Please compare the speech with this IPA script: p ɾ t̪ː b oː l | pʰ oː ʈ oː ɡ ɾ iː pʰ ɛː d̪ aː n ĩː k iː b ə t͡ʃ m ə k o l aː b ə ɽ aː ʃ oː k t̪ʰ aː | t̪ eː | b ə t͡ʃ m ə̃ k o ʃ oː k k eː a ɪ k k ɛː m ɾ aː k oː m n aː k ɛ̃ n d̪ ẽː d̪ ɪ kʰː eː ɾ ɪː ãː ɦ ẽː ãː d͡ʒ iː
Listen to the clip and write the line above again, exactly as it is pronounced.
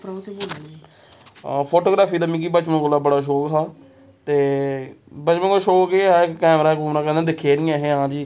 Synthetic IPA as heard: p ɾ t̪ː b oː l | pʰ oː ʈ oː ɡ ɾ aː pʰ iː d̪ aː m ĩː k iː b ə t͡ʃ m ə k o l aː b ə ɽ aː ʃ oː k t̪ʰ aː | t̪ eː | b ə t͡ʃ m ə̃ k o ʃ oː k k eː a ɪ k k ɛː m ɾ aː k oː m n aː k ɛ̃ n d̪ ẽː d̪ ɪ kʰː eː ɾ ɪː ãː ɦ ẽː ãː d͡ʒ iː

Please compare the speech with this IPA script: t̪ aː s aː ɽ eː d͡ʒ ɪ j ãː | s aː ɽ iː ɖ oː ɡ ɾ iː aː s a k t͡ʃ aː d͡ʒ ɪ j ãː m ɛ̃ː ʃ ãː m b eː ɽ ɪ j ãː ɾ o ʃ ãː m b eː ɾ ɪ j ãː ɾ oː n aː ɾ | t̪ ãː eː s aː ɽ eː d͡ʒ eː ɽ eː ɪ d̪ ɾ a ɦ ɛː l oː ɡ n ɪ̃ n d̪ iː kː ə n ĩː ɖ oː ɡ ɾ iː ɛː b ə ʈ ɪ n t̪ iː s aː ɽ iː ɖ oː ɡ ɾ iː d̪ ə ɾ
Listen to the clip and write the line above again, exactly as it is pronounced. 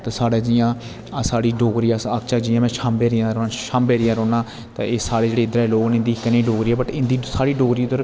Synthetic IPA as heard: t̪ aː s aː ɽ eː d͡ʒ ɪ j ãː | s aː ɽ iː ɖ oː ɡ ɾ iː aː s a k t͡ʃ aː d͡ʒ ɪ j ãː m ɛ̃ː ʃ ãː m b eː ɾ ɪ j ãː ɾ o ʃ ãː m b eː ɾ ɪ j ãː ɾ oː n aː | t̪ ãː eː s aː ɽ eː d͡ʒ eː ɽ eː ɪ d̪ ɾ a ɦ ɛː l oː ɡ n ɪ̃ n d̪ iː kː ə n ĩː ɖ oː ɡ ɾ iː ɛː b ə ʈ ɪ n d̪ iː s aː ɽ iː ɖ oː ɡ ɾ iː d̪ ə ɾ

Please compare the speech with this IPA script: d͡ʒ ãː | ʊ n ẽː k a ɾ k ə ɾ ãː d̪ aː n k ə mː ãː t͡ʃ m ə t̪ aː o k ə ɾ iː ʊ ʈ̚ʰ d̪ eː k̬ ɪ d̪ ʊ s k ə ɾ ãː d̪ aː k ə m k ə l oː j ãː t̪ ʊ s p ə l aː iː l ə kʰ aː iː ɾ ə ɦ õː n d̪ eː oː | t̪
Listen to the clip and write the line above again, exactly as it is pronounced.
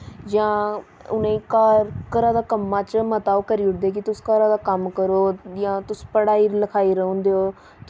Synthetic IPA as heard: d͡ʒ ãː | ʊ n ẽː k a ɾ k ə ɾ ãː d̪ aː k ə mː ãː t͡ʃ m ə t̪ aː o k ə ɾ iː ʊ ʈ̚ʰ d̪ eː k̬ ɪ t̪ ʊ s k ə ɾ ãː d̪ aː k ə m k ə ɾ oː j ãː t̪ ʊ s p ə ɽ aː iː l ə kʰ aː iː ɾ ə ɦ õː n d̪ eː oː | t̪

